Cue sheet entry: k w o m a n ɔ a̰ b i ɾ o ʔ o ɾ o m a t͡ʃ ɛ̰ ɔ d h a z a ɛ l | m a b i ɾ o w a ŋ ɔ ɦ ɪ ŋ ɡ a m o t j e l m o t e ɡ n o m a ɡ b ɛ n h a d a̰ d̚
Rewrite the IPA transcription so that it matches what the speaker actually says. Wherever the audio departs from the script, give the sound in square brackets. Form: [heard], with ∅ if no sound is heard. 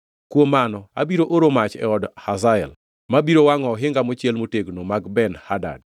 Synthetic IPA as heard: k w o m a n ɔ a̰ b i ɾ o ʔ o ɾ o m a t͡ʃ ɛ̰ ɔ d h a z a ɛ l | m a b i ɾ o w a ŋ ɔ ɦ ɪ ŋ ɡ a m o [t͡ʃ] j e l m o t e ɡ n o m a ɡ b ɛ n h a d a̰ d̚